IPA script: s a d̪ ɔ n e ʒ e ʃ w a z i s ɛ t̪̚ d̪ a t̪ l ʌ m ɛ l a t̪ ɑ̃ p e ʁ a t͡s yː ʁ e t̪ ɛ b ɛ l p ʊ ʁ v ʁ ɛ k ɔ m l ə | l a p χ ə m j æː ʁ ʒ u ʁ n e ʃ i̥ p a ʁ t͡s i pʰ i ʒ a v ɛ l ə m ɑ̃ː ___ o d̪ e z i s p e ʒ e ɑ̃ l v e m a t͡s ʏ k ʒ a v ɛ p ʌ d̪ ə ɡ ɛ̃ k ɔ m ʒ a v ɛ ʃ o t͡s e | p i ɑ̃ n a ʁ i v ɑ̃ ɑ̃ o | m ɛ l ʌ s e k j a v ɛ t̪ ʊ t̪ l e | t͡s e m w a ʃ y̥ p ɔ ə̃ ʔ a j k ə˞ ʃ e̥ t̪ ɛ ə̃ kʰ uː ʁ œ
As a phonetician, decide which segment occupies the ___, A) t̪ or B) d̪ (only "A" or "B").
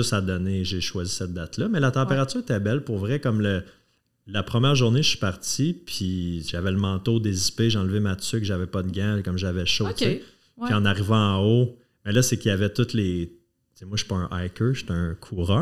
A